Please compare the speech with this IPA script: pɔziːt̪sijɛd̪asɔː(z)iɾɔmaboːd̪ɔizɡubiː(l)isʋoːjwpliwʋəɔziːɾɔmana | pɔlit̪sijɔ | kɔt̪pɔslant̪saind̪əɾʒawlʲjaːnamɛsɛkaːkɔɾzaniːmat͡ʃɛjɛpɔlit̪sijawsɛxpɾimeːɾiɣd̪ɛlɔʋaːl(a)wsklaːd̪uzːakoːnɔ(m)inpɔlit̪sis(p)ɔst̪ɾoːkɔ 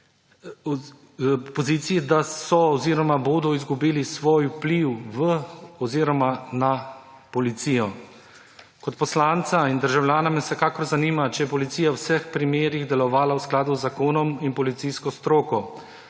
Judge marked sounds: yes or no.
yes, yes, yes, yes, no

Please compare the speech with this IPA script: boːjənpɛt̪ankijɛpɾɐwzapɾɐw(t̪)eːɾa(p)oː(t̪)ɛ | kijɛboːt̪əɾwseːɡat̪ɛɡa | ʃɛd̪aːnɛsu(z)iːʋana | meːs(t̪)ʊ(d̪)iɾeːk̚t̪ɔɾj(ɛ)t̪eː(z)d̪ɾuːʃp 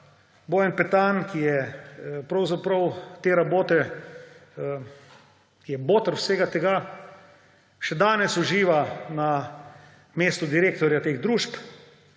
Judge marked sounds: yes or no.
yes, no, yes, no, yes, yes, no, no

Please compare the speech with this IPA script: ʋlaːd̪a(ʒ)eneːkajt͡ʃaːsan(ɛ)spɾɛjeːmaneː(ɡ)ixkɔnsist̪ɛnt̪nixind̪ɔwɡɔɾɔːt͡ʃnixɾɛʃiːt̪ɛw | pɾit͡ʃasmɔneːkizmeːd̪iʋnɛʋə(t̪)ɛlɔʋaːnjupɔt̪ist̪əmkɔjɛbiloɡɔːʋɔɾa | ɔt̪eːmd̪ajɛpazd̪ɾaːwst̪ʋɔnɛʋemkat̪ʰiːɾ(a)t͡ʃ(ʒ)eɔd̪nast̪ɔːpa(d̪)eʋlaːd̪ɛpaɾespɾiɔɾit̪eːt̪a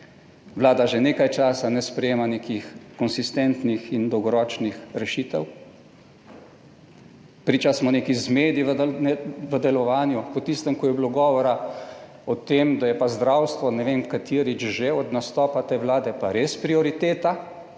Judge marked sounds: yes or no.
yes, yes, no, no, no, yes, no

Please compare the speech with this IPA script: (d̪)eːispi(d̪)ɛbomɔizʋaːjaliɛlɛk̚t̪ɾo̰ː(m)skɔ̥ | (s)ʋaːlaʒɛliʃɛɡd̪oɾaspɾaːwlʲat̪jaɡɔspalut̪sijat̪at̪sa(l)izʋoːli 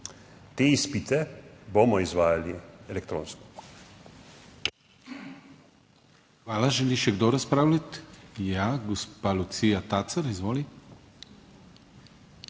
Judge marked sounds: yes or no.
no, no, no, no, no

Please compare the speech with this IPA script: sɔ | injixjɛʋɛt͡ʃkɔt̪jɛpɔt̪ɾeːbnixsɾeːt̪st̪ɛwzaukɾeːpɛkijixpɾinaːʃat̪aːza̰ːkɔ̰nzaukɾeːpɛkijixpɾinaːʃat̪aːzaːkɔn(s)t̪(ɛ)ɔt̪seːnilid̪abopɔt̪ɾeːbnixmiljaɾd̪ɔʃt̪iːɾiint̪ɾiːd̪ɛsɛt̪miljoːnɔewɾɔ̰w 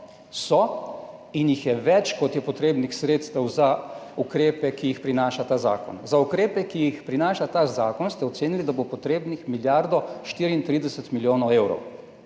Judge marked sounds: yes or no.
yes, yes

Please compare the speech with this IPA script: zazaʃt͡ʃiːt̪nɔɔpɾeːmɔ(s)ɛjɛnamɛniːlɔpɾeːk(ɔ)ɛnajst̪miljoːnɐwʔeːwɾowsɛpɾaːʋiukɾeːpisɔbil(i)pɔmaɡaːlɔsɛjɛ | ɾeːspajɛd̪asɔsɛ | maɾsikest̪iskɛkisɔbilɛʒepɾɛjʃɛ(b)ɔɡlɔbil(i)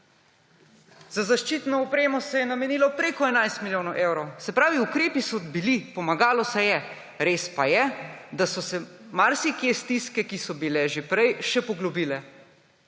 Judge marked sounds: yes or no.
yes, yes, yes, no, no

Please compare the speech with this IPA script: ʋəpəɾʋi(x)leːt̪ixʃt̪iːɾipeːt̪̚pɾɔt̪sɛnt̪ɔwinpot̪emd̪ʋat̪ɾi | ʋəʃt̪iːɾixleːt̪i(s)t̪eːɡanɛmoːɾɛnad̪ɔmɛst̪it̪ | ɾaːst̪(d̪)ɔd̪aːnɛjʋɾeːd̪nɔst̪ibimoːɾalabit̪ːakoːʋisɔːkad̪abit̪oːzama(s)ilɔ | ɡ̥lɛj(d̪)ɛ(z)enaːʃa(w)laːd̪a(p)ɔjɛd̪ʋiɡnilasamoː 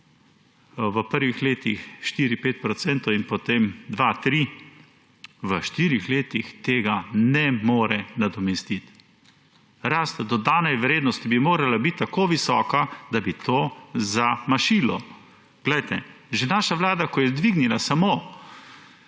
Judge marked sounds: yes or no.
yes, no, yes, no, no, no, no, no

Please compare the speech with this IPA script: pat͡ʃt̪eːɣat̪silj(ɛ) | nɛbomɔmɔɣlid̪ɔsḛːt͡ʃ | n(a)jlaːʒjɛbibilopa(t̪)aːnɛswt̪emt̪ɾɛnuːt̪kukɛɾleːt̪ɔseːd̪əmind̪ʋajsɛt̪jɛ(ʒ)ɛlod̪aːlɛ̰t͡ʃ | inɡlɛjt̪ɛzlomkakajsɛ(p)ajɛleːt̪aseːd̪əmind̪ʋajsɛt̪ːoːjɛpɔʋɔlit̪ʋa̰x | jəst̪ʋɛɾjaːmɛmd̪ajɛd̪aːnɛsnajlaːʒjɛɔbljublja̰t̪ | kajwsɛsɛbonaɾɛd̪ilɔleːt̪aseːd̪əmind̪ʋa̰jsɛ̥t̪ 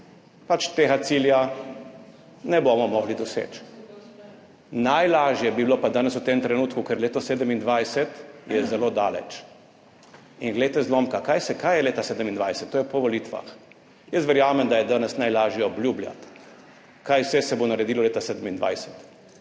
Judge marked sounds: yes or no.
no, yes, no, no, no

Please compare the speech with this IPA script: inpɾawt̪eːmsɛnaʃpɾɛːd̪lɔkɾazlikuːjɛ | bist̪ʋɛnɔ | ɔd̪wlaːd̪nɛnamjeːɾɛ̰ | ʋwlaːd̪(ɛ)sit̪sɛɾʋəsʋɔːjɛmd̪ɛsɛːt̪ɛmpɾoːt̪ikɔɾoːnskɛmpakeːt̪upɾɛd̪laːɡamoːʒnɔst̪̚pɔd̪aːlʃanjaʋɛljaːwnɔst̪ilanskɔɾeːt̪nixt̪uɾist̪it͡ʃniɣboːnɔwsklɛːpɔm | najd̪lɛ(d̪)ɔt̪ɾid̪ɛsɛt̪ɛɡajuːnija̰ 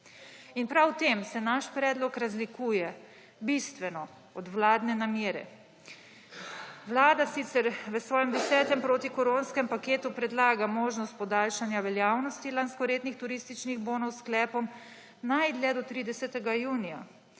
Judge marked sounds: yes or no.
no, yes

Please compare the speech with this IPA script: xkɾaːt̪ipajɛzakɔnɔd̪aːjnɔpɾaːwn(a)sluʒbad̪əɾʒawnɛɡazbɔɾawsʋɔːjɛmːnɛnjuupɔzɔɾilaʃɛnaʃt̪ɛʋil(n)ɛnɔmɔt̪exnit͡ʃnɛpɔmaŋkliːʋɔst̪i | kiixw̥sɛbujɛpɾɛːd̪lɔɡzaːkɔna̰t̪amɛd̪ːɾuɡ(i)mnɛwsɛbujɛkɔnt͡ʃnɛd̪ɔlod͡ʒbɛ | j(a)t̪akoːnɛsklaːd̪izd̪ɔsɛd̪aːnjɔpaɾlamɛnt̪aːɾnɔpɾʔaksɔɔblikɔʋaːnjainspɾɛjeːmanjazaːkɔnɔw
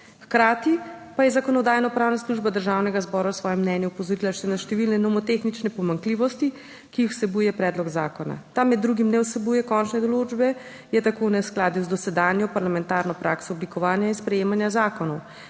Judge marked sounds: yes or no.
yes, yes, yes, no

